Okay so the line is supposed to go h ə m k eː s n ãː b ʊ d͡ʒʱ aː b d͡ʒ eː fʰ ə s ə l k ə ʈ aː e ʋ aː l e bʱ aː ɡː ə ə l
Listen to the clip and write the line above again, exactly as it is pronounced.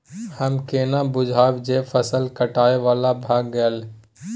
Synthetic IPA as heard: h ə m k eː n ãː b ʊ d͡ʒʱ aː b d͡ʒ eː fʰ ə s ə l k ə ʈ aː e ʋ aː l a bʱ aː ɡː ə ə l